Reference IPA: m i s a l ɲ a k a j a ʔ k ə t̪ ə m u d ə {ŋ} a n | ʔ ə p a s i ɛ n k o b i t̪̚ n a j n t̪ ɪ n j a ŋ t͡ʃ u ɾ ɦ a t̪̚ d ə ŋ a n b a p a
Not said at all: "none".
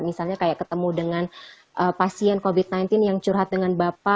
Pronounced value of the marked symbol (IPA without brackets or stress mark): ŋ